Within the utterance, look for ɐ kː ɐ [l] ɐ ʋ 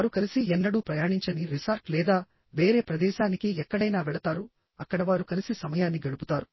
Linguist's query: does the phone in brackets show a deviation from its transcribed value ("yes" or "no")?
yes